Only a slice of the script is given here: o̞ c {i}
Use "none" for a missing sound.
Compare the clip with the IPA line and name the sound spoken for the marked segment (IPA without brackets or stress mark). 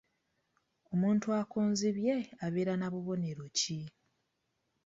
i